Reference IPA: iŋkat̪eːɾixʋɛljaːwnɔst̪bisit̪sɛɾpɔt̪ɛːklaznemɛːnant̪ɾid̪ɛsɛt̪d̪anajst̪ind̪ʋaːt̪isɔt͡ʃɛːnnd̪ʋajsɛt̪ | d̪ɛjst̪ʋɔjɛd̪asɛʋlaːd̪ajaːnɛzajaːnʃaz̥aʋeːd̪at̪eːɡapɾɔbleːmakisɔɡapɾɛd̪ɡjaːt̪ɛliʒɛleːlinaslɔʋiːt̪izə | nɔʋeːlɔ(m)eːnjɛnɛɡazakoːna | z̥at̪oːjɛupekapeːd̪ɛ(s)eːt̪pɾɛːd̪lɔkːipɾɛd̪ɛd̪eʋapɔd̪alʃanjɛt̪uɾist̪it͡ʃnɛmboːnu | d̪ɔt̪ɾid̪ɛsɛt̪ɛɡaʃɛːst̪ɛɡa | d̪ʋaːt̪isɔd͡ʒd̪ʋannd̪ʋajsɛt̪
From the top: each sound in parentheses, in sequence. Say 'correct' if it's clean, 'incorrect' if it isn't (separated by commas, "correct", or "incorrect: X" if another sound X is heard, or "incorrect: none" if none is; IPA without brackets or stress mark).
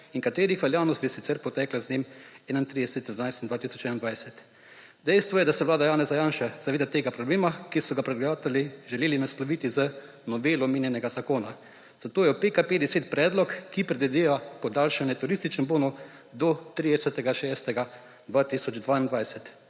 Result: correct, correct